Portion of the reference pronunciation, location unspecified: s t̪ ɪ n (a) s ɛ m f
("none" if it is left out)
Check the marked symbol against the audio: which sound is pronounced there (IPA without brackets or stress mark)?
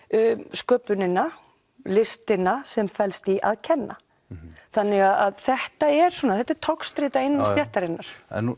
a